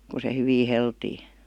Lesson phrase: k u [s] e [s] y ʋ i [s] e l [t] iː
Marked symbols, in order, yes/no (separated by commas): yes, no, no, yes